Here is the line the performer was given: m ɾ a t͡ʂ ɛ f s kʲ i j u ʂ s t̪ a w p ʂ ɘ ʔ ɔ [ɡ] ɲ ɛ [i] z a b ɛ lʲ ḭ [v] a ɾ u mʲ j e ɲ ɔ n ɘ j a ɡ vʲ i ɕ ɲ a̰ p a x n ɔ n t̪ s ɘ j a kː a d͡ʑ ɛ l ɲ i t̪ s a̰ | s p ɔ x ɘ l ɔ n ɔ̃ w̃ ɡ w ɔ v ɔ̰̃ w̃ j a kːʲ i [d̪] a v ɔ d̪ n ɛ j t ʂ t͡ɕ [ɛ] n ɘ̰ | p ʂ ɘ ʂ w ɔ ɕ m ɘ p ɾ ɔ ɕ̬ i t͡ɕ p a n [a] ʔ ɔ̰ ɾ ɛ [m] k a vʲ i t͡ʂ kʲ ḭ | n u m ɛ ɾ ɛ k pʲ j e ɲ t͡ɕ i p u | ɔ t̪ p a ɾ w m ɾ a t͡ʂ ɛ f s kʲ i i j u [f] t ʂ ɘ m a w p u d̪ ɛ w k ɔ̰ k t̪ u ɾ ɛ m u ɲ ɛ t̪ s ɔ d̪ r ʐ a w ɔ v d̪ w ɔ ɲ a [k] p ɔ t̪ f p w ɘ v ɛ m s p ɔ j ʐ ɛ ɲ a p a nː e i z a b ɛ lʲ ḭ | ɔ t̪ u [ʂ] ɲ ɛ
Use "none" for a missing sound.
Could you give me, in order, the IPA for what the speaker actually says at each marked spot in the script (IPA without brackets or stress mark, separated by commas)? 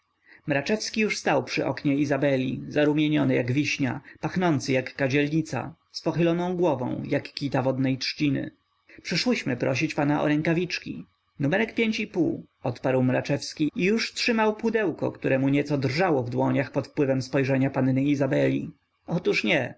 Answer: k, i, z, t̪, i, a, ŋ, ʂ, x, ʂ